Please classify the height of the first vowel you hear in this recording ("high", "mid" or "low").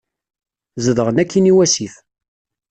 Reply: mid